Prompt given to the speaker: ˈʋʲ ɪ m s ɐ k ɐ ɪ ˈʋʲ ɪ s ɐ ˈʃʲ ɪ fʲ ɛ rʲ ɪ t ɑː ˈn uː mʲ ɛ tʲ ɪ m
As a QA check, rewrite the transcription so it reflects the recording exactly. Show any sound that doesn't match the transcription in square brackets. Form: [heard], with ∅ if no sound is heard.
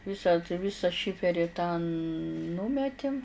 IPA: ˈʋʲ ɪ [∅] s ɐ [t] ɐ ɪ ˈʋʲ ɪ s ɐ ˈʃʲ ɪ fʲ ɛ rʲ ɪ t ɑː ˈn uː mʲ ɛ tʲ ɪ m